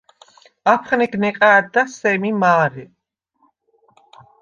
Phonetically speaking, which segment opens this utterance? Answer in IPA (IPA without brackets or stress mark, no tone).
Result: a